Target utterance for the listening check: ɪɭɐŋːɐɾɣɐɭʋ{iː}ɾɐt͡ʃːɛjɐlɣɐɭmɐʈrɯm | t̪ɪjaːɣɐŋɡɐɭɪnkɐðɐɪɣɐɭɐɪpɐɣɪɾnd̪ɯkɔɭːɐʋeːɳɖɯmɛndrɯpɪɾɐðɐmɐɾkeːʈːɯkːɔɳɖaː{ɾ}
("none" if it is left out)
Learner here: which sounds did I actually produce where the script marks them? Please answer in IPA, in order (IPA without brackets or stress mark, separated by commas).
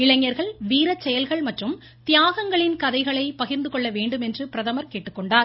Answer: iː, ɾ